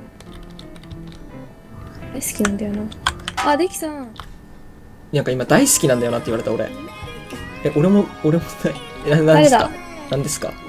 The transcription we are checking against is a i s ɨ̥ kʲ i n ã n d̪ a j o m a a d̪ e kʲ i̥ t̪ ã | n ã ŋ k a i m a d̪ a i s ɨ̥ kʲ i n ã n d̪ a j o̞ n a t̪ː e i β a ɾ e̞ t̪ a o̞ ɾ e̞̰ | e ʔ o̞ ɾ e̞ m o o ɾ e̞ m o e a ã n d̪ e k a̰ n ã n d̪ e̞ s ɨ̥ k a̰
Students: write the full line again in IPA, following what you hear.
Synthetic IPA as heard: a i s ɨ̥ kʲ i n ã n d̪ a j o n a a d̪ e kʲ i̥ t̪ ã | n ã ŋ k a i m a d̪ a i s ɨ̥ kʲ i n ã n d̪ a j o̞ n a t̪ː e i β a ɾ e̞ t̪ a o̞ ɾ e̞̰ | e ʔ o̞ ɾ e̞ m o o ɾ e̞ m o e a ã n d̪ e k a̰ n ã n d̪ e̞ s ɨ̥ k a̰